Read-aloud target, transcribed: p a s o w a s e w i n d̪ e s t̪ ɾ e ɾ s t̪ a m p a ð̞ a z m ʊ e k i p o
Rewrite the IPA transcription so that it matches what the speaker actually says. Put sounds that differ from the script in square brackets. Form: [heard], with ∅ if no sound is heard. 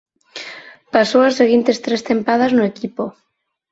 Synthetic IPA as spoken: p a s o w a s e [ɣ] i n [t̪] e s t̪ ɾ e [∅] s t̪ [e] m p a ð̞ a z [n] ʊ e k i p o